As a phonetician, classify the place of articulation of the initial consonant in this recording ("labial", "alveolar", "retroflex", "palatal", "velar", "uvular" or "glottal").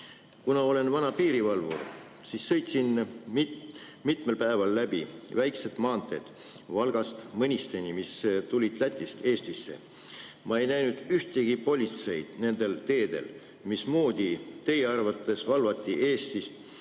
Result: velar